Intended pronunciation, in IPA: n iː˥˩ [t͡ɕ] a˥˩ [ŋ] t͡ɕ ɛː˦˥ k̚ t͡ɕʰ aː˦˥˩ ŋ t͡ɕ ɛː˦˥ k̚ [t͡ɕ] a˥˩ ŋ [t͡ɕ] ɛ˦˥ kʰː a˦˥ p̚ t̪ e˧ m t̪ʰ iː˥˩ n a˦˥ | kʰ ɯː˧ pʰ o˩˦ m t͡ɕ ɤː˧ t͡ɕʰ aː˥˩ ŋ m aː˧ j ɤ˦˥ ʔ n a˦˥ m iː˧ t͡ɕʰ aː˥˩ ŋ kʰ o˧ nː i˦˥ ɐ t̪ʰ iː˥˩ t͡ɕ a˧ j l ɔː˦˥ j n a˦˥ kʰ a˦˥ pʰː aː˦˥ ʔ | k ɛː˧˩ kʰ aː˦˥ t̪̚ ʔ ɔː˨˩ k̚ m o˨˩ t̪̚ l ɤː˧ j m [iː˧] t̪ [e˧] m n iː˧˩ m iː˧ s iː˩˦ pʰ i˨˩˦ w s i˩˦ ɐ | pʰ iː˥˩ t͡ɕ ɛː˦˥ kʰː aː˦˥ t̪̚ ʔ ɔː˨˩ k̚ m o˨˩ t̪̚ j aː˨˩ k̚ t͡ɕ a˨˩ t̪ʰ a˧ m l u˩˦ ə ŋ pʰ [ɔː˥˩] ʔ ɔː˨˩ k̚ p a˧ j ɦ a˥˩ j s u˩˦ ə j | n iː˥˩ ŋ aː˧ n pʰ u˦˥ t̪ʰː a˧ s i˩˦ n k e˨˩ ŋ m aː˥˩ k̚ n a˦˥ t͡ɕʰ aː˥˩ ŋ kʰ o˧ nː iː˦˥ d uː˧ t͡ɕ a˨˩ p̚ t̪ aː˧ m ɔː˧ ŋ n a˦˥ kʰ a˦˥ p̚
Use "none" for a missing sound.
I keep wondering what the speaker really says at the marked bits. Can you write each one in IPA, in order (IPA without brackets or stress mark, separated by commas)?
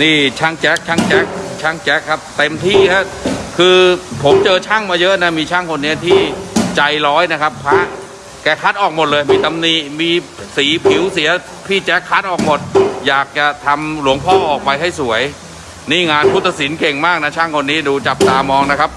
t͡ɕʰ, ŋ, t͡ɕʰ, t͡ɕ, iː˧, a˧, ɔː˥˩